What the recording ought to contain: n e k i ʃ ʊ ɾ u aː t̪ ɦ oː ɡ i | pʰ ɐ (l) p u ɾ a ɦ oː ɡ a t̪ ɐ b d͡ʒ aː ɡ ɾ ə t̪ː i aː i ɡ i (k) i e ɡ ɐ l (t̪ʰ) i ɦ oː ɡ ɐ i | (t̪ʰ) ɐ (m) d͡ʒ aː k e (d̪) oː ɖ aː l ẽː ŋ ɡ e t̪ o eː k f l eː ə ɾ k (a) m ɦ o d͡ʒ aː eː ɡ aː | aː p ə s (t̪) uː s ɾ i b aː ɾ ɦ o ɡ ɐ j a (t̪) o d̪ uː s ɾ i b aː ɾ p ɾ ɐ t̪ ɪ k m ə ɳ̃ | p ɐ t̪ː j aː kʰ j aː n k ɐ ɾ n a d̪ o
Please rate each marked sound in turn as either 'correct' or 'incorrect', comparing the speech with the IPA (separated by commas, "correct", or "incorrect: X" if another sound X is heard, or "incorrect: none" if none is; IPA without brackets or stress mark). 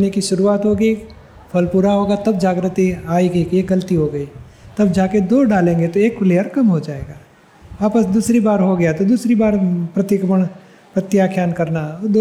correct, correct, incorrect: t̪, incorrect: t̪, incorrect: b, correct, incorrect: ɐ, incorrect: d̪, correct